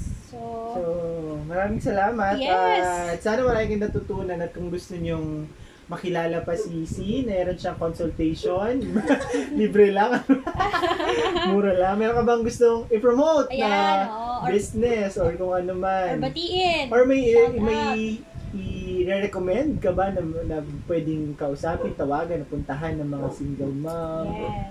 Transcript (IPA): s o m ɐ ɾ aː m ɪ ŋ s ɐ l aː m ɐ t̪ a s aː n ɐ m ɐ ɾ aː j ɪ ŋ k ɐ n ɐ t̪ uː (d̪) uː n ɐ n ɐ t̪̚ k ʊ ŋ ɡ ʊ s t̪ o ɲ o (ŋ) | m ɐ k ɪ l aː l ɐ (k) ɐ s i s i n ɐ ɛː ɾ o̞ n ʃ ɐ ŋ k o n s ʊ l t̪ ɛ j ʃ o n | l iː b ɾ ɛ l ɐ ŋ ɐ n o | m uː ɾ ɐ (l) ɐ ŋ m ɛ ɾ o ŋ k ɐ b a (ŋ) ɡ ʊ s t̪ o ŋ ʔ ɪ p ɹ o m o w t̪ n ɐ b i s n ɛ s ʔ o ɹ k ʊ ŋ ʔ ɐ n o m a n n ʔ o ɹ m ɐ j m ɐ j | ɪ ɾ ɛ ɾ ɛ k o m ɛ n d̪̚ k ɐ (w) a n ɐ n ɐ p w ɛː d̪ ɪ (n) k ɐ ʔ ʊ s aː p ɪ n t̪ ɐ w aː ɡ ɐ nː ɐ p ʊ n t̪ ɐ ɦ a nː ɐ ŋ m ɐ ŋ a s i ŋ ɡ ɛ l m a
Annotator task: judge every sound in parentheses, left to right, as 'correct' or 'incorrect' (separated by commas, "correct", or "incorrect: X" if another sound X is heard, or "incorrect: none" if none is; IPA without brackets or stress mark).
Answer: incorrect: t̪, correct, incorrect: p, correct, correct, incorrect: b, incorrect: ŋ